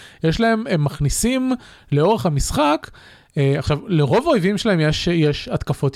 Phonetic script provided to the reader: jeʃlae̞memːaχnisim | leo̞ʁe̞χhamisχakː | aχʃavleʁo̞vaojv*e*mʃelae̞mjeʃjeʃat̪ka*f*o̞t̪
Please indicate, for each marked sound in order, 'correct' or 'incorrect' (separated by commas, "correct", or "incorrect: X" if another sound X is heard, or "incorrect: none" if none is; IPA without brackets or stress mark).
incorrect: i, correct